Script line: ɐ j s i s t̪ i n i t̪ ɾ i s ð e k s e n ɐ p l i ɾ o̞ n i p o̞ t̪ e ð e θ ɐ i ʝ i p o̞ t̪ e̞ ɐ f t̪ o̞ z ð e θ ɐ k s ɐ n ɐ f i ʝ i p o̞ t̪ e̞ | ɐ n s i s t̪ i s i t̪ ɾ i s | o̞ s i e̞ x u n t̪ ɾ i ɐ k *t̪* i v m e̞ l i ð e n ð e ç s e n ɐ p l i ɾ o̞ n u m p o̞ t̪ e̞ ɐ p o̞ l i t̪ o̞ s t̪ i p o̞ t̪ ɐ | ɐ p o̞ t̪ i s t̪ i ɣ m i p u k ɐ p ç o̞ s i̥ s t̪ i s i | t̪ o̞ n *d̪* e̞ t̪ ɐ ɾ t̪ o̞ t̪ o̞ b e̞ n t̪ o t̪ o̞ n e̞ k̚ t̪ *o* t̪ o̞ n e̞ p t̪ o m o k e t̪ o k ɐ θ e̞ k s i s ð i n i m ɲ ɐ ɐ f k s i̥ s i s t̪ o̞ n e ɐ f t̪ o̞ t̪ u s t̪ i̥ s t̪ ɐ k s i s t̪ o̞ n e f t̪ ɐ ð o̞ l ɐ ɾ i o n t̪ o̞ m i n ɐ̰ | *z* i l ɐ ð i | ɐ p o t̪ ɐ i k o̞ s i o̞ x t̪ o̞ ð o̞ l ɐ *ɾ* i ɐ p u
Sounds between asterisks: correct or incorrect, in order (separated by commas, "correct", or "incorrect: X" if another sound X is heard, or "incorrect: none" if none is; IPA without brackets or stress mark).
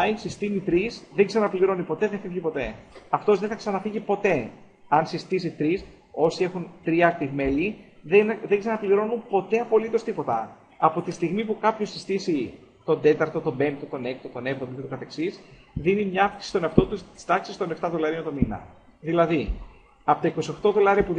correct, correct, correct, incorrect: ð, correct